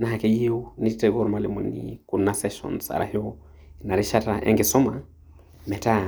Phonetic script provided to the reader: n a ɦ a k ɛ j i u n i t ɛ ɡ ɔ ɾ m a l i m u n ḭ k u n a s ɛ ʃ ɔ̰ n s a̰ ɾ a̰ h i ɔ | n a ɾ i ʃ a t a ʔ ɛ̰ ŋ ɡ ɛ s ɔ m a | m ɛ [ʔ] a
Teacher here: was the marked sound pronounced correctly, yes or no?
no